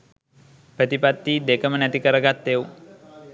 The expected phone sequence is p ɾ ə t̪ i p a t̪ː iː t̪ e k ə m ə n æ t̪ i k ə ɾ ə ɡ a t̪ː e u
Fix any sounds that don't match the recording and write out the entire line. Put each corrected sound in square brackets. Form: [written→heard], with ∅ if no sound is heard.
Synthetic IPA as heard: p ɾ ə t̪ i p a t̪ː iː [t̪→d̪] e k ə m ə n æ t̪ i k ə ɾ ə ɡ a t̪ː e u